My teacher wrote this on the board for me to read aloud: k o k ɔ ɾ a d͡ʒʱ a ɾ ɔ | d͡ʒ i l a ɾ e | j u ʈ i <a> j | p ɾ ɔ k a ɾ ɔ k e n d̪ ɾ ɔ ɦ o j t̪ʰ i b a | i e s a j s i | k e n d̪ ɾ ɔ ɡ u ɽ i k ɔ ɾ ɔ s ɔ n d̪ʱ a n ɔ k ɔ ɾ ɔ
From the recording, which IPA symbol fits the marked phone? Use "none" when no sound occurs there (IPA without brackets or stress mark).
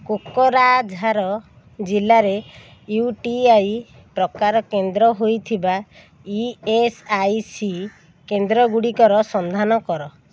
a